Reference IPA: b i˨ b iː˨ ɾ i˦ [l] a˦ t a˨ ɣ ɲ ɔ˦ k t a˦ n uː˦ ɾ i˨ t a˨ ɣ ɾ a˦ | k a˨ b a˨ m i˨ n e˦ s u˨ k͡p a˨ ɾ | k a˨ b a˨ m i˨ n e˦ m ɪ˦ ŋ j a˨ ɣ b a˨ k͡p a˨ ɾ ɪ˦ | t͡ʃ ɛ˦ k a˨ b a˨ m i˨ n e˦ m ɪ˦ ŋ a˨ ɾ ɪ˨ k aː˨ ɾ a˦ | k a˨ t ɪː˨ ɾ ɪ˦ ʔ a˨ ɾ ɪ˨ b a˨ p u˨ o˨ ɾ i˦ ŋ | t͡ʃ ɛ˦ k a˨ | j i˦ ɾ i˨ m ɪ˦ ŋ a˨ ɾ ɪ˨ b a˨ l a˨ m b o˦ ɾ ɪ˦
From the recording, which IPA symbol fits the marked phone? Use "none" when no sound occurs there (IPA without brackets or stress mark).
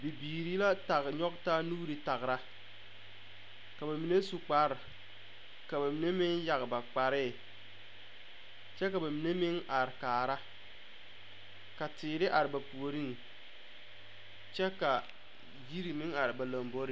l